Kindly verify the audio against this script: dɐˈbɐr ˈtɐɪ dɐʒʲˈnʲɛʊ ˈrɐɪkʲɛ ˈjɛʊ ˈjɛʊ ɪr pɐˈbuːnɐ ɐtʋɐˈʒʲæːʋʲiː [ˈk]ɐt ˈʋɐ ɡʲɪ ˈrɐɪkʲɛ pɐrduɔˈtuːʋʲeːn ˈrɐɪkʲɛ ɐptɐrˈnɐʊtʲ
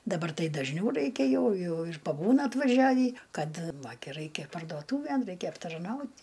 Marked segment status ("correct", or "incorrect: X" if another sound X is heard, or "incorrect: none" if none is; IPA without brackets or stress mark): correct